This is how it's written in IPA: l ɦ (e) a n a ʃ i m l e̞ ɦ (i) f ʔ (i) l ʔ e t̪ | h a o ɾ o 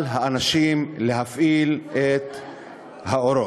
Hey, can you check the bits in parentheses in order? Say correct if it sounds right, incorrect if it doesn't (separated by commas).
incorrect, incorrect, correct